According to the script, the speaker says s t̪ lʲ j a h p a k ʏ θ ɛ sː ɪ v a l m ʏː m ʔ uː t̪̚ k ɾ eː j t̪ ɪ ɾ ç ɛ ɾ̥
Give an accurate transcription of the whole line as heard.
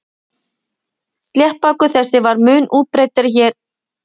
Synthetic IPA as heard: s t̪ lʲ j ɛ h p a k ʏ θ ɛ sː ɪ v a ɾ m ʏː n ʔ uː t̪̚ p ɾ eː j t̪ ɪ ɾ ç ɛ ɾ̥

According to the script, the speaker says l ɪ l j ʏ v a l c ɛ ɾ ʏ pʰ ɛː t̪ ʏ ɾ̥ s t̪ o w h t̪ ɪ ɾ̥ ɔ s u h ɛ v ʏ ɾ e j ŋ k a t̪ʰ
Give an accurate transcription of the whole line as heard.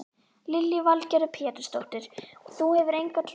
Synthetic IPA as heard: l ɪ l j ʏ v a l c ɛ ɾ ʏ pʰ ɛː t̪ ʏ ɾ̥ s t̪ o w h t̪ ɪ ɾ̥ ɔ θ u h ɛ v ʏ ɾ e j ŋ k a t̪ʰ

